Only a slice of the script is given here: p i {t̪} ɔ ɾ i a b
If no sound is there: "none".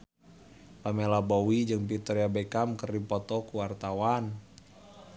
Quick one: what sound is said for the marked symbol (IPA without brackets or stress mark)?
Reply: t̪